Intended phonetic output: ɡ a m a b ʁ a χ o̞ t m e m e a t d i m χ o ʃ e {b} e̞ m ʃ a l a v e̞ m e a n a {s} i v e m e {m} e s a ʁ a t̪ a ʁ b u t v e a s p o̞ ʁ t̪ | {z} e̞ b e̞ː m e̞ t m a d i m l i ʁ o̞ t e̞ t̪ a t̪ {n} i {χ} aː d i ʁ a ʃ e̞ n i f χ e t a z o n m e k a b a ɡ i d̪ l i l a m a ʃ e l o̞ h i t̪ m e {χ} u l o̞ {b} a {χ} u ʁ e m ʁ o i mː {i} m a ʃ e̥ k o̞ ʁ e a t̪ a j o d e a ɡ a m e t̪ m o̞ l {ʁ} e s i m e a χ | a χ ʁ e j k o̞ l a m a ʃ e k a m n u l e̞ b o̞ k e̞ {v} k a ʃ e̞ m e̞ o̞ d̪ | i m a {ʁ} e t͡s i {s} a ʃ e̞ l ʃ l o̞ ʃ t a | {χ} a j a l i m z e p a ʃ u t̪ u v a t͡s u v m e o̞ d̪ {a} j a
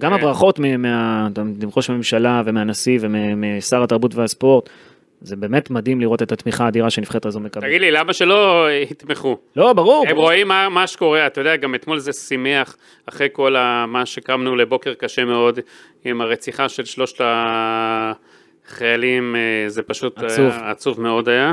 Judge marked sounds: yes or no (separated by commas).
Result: no, yes, yes, yes, no, yes, yes, yes, no, no, no, no, yes, no, yes, yes